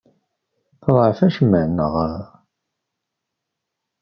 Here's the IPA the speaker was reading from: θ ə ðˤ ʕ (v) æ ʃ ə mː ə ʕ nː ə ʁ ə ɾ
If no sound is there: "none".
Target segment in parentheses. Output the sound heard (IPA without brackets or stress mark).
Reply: f